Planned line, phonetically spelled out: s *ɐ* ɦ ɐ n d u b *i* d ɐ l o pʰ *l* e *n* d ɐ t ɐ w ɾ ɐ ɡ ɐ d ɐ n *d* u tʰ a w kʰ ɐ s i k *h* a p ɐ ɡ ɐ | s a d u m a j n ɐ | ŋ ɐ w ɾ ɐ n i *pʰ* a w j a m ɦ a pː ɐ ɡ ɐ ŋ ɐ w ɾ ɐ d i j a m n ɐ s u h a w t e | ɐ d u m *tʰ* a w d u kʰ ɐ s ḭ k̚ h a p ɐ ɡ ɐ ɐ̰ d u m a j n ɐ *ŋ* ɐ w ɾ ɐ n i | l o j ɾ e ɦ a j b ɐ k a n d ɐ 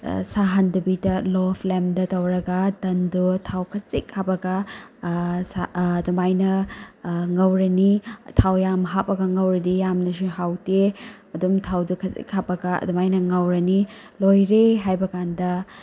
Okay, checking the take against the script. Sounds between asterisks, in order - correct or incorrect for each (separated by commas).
incorrect, correct, correct, incorrect, correct, correct, incorrect, correct, correct